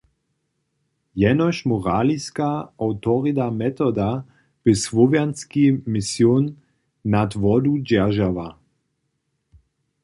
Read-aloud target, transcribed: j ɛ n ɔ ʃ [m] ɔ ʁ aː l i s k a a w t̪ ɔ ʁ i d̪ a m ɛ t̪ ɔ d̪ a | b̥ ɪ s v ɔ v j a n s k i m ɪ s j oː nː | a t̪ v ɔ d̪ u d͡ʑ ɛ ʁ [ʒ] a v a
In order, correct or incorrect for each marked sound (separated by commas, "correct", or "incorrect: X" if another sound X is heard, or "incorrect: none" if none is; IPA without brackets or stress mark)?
correct, correct